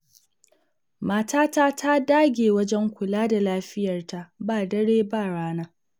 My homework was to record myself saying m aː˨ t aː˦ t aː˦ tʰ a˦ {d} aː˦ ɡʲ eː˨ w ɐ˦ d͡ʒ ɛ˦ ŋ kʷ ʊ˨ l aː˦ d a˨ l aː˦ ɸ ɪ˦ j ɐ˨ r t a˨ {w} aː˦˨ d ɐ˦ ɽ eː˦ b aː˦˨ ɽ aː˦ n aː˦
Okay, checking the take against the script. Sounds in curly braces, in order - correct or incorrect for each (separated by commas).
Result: correct, incorrect